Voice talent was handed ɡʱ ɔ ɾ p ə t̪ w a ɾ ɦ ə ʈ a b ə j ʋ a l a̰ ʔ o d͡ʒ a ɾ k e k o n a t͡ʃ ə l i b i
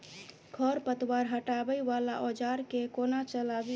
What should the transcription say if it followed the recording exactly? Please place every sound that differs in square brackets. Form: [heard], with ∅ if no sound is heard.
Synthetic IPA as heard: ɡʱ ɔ ɾ p ə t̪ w a ɾ ɦ ə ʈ a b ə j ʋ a l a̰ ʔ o d͡ʒ a ɾ k e k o n a t͡ʃ ə l [a] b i